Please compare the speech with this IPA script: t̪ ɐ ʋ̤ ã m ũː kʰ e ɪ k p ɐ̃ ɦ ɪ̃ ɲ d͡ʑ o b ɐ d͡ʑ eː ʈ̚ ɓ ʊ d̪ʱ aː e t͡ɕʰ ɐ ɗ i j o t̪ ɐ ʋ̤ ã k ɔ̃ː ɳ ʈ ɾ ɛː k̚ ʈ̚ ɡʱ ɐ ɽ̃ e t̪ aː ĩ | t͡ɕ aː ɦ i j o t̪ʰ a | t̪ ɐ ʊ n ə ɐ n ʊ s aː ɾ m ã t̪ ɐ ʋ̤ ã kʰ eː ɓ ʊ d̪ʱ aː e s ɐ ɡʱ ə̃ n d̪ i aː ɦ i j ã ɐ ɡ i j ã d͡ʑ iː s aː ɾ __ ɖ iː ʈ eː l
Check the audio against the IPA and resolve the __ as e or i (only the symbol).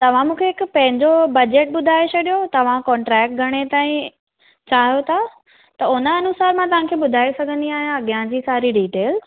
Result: i